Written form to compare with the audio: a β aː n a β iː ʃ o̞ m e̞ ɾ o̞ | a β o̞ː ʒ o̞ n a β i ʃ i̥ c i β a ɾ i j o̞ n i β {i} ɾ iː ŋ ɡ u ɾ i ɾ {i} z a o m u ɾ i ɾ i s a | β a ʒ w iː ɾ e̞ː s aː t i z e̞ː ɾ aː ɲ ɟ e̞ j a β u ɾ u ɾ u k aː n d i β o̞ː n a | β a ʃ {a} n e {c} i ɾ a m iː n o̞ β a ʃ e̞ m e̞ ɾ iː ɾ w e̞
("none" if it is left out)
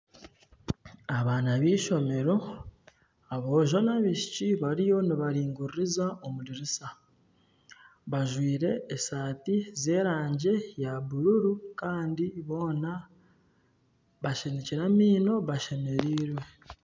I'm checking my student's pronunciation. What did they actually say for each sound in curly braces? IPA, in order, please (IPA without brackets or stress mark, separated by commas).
a, i, e, c